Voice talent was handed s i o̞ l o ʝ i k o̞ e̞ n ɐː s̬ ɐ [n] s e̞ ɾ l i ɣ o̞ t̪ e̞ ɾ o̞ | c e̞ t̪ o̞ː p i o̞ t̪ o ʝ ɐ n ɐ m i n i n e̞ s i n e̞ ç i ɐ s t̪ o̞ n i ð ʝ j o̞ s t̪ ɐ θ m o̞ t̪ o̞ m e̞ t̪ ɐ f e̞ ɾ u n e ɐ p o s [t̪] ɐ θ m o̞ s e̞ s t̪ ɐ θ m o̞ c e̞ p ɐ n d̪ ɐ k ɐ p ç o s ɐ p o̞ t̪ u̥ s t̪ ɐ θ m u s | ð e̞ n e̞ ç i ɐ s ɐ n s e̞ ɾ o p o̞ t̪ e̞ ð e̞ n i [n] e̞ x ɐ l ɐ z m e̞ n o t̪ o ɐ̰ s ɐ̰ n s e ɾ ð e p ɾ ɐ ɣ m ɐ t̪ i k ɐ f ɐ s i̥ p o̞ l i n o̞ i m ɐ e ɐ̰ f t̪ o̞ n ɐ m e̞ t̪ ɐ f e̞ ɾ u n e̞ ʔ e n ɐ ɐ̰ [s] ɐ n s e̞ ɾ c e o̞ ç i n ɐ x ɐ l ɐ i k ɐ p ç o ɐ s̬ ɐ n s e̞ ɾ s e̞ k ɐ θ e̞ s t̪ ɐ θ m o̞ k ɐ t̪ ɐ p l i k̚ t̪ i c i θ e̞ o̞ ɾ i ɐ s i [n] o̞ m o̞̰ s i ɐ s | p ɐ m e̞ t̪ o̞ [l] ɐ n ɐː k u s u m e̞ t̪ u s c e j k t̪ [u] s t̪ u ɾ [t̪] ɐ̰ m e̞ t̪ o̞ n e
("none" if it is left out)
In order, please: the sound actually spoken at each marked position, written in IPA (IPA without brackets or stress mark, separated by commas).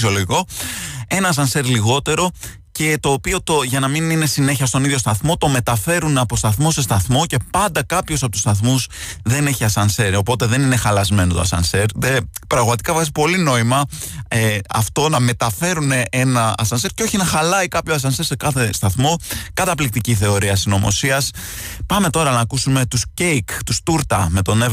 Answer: n, t̪, n, s, n, ɾ, u, t̪